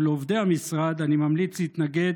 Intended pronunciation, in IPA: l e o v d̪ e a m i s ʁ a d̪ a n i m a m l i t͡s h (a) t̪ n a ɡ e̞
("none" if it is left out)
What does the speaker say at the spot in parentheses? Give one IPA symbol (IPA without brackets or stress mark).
i